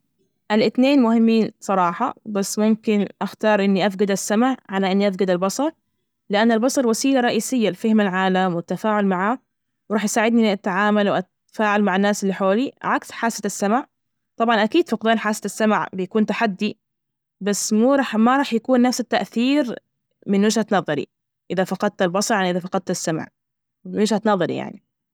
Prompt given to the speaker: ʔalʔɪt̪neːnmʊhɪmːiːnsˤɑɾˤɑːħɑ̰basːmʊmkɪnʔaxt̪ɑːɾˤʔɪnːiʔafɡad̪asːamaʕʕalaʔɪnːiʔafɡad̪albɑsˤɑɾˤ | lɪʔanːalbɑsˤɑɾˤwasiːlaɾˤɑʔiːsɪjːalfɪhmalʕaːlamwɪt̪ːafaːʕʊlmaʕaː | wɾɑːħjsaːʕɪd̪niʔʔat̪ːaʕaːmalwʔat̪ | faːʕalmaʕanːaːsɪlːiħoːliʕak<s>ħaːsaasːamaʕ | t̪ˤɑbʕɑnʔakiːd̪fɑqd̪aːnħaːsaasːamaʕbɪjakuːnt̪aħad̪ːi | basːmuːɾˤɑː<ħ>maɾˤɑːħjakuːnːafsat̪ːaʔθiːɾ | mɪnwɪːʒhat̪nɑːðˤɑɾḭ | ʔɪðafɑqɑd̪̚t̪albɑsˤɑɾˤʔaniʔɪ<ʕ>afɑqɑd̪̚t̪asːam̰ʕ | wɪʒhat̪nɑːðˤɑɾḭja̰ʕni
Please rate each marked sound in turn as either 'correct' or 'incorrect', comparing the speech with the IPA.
correct, correct, incorrect: ð

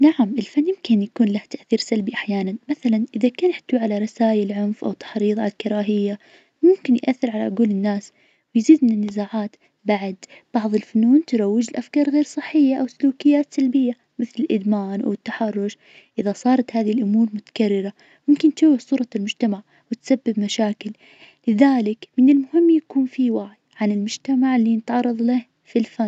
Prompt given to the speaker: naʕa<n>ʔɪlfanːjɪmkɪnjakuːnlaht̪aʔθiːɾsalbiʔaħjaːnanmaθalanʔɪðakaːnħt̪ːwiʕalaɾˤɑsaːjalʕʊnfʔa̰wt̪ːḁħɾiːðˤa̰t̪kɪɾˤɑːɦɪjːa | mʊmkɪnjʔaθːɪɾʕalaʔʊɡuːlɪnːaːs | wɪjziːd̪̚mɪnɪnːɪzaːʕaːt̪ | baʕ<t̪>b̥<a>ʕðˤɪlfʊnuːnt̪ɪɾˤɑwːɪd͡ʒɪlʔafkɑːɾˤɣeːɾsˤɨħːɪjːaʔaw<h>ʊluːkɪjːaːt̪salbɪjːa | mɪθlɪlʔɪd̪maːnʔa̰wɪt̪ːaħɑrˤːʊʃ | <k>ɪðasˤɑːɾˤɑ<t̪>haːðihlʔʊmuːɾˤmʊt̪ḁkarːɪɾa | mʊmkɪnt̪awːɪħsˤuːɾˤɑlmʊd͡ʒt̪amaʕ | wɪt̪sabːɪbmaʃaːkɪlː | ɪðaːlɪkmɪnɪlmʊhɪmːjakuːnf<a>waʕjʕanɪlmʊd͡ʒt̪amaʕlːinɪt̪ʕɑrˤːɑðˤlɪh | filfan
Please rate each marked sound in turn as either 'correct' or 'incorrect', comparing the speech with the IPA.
incorrect: m, incorrect: d̪, incorrect: ɑ, incorrect: s, incorrect: ʔ, correct, incorrect: i

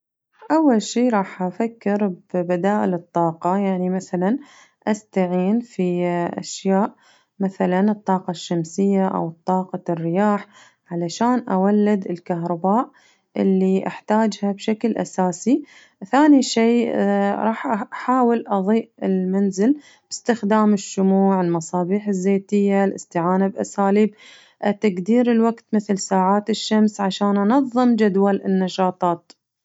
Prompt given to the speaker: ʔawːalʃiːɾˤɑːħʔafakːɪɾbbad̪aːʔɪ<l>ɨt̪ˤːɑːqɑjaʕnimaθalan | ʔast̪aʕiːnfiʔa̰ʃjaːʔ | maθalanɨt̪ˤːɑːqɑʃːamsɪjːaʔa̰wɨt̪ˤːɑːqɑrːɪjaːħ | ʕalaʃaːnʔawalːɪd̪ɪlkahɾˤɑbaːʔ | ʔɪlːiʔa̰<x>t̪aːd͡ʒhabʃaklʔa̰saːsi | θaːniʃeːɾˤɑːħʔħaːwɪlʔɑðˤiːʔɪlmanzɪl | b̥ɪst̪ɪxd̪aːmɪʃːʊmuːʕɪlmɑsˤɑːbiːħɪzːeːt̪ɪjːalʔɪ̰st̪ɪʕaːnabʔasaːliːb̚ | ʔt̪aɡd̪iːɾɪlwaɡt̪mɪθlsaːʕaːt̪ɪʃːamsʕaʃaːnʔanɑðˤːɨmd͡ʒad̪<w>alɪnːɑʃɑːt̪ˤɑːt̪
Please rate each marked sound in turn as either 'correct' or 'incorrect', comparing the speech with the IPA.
correct, incorrect: ħ, correct

